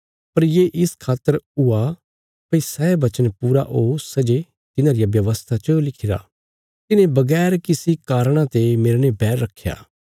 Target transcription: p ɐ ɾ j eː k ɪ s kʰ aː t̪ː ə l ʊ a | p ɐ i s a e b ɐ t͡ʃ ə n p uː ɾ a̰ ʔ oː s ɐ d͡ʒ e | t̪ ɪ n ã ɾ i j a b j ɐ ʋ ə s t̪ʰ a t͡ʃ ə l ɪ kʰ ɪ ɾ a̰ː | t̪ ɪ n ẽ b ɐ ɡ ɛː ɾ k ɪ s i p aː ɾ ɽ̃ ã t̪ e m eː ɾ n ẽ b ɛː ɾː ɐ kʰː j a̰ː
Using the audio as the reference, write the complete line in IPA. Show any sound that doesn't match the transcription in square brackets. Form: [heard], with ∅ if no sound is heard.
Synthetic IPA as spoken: p ɐ ɾ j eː [ʔ] ɪ s kʰ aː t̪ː ə [ɾ] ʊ a | p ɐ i s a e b ɐ t͡ʃ ə n p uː ɾ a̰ ʔ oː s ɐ d͡ʒ e | t̪ ɪ n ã ɾ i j a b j ɐ ʋ ə s t̪ʰ a t͡ʃ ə l ɪ kʰ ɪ ɾ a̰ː | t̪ ɪ n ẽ b ɐ ɡ ɛː ɾ k ɪ s i [k] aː ɾ ɽ̃ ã t̪ e m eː ɾ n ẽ b ɛː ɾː ɐ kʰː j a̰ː